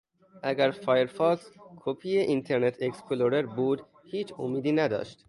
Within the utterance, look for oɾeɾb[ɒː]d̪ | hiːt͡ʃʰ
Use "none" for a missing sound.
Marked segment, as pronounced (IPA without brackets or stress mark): uː